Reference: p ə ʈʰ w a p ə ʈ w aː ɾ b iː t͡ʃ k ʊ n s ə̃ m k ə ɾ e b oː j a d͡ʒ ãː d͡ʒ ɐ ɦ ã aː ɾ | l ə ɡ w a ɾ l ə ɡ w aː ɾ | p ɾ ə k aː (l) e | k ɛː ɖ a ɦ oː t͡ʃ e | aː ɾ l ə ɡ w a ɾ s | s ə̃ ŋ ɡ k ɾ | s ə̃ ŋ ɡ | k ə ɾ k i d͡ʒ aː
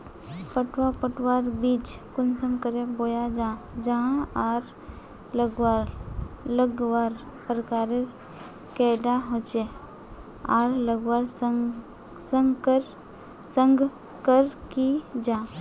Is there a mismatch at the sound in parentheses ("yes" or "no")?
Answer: yes